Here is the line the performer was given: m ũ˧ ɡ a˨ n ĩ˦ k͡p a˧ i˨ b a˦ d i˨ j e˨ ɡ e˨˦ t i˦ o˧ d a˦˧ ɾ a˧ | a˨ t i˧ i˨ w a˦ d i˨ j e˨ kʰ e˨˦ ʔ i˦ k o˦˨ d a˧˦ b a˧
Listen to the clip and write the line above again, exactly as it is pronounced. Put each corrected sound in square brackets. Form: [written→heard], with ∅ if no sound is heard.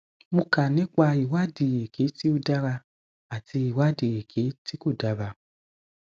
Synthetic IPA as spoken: m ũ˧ [ɡ→k] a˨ n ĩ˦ k͡p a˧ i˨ [b→w] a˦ d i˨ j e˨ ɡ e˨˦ t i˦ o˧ d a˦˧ ɾ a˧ | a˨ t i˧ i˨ w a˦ d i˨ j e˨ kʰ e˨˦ [ʔ→t] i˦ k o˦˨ d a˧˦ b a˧